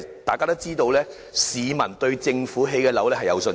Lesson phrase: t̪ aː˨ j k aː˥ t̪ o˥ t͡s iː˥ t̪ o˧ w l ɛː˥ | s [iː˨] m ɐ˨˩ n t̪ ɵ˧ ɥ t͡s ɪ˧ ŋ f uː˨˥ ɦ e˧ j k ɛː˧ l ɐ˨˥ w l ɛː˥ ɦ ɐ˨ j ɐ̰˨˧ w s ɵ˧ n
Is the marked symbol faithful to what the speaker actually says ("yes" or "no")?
yes